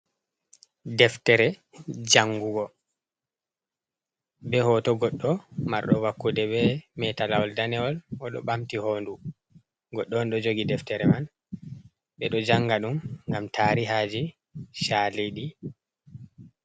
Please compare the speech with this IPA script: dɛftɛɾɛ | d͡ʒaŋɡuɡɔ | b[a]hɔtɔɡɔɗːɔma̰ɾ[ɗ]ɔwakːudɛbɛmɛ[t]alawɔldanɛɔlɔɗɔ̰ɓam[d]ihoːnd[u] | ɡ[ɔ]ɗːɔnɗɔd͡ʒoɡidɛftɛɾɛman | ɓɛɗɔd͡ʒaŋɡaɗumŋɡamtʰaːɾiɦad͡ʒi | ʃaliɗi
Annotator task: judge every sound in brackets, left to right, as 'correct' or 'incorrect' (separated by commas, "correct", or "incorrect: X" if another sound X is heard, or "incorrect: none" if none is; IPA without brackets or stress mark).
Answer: incorrect: ɛ, correct, correct, incorrect: t, correct, correct